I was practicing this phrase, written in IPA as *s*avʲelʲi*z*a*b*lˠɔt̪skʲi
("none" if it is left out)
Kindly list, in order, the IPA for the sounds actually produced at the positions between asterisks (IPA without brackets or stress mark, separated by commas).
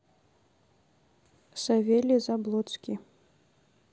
s, z, b